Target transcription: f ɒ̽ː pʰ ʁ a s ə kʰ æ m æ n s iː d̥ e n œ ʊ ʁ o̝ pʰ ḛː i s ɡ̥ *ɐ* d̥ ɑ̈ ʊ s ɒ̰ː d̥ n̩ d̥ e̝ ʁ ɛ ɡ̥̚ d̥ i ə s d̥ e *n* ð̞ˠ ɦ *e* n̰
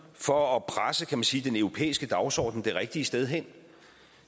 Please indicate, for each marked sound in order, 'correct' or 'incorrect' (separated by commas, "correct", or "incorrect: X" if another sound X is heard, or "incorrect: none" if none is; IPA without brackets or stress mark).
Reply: incorrect: ə, incorrect: none, correct